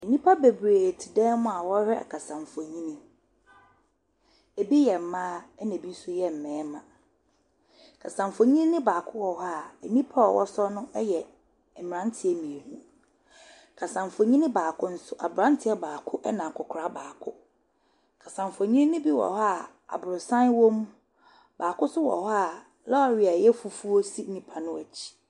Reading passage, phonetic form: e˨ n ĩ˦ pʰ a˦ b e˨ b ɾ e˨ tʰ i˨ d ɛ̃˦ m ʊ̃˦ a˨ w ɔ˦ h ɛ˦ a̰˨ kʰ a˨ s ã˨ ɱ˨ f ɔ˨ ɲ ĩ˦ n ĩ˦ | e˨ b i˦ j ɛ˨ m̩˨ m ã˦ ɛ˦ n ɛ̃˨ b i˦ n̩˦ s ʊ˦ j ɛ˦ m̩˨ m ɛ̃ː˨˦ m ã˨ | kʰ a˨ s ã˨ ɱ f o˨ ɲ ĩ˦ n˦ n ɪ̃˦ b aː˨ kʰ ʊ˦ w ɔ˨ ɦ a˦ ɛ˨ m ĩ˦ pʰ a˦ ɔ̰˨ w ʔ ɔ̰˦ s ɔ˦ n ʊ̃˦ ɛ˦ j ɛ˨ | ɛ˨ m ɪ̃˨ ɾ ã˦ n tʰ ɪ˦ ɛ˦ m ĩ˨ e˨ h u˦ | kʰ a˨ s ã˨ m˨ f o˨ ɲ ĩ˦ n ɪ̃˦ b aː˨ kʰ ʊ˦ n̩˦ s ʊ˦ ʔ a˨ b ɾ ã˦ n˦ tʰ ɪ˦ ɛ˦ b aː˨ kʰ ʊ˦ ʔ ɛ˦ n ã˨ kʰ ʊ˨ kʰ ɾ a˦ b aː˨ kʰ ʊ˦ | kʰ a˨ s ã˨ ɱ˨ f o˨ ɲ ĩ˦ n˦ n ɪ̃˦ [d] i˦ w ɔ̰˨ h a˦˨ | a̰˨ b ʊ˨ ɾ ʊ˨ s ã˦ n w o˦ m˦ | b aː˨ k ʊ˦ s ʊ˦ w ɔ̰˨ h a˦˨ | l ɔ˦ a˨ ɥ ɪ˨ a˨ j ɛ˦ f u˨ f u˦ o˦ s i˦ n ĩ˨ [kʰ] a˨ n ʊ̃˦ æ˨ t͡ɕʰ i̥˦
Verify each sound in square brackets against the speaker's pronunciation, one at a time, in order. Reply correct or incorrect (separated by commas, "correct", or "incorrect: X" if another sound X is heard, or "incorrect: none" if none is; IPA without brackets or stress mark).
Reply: incorrect: b, incorrect: pʰ